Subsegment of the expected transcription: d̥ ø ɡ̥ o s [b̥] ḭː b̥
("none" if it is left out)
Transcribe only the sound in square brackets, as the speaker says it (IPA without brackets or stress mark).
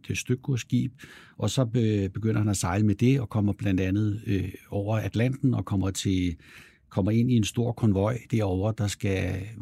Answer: ɡ̥